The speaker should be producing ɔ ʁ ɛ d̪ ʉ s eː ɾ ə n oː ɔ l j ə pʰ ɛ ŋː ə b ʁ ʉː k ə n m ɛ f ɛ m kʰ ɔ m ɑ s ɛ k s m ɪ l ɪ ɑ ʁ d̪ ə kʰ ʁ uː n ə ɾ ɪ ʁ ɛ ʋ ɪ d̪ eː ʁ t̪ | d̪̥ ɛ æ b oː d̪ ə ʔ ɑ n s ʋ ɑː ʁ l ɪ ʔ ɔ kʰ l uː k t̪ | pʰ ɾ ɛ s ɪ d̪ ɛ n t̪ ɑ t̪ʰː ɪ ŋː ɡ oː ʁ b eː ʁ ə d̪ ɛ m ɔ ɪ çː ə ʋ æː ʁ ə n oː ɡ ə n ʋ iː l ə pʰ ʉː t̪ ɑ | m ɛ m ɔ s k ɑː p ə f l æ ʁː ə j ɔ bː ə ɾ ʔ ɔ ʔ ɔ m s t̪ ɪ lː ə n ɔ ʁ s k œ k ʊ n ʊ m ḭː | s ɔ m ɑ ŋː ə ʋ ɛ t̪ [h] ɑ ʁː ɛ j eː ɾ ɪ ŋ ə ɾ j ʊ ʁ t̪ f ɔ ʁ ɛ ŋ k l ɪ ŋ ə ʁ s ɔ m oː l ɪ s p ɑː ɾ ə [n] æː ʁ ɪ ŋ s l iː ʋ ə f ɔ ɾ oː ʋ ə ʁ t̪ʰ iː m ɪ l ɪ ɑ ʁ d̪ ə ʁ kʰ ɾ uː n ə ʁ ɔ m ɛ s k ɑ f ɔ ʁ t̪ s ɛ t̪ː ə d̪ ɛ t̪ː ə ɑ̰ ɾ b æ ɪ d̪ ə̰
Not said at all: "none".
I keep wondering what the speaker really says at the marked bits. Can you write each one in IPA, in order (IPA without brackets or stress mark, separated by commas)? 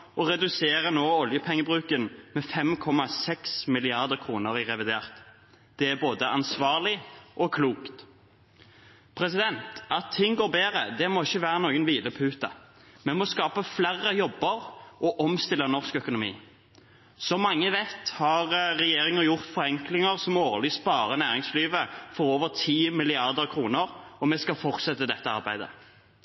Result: h, n